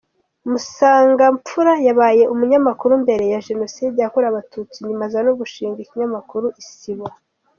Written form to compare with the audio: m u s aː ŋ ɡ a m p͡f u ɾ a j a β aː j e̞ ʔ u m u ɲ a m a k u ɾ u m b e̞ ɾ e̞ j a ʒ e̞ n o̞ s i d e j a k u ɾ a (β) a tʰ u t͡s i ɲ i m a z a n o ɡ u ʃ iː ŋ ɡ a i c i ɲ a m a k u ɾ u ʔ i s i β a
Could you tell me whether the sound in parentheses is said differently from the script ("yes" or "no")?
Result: no